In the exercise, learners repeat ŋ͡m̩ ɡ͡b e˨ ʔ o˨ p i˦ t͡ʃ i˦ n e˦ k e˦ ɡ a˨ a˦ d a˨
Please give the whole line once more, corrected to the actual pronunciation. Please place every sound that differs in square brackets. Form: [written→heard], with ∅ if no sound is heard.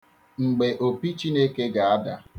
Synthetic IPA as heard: ŋ͡m̩ ɡ͡b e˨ ʔ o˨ p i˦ t͡ʃ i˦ n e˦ k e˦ ɡ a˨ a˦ d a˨